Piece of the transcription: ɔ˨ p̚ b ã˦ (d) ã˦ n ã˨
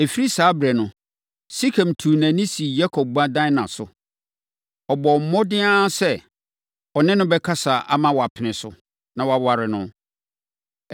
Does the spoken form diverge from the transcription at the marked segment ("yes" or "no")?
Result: no